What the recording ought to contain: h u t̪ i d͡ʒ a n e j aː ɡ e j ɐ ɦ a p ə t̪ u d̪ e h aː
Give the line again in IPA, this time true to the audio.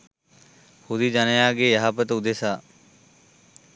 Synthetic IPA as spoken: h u d̪ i d͡ʒ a n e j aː ɡ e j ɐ ɦ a p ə t̪ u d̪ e s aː